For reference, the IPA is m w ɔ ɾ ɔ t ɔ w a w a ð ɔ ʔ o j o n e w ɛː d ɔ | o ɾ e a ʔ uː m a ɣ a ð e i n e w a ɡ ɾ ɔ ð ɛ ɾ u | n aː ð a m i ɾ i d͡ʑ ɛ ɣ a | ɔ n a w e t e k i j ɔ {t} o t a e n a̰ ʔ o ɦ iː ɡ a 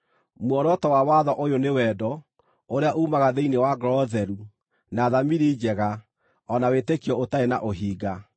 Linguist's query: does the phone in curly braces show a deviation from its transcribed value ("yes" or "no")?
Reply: yes